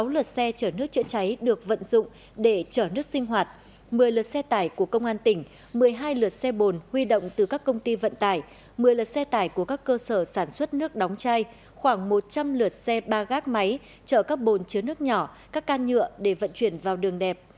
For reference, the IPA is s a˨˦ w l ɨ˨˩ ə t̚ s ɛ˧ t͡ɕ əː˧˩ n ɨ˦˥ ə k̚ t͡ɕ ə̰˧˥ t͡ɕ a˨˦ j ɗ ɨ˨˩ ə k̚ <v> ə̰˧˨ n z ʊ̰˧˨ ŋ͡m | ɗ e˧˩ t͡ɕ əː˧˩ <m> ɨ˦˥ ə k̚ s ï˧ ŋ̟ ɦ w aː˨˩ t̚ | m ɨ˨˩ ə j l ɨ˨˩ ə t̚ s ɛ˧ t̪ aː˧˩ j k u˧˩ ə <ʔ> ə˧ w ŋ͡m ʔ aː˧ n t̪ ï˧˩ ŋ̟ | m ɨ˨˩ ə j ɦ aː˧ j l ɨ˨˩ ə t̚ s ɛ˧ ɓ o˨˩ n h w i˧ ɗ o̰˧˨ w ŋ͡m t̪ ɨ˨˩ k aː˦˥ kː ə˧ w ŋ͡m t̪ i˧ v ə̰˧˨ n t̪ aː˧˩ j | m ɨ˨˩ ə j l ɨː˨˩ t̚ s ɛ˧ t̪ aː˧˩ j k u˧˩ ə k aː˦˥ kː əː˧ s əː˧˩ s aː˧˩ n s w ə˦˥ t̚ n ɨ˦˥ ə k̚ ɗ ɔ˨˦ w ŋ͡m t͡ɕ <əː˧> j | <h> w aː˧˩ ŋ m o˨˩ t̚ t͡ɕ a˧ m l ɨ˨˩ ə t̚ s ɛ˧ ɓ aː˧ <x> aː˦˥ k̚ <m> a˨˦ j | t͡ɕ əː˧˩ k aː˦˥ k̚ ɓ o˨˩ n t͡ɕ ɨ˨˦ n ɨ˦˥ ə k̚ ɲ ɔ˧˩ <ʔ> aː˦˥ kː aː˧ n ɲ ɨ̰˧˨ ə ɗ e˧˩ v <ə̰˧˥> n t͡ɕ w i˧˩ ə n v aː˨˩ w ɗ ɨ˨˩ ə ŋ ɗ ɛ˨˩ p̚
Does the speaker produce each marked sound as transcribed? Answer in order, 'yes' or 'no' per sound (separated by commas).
yes, no, no, no, no, no, yes, no, no